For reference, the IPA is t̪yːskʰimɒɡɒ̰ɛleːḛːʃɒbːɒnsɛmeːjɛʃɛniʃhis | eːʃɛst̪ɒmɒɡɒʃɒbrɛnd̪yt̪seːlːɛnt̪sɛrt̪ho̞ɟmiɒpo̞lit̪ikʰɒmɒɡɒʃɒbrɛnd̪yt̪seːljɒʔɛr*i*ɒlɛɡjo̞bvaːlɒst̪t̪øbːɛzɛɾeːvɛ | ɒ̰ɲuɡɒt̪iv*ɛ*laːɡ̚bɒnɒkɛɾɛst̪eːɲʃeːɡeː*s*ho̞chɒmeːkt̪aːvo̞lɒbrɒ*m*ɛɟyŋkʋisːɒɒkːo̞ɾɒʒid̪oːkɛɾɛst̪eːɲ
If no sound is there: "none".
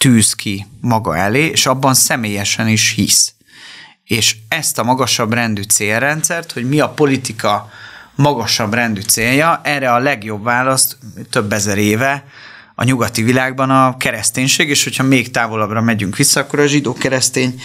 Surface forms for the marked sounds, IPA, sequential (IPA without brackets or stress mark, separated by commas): ɛ, i, ʃ, m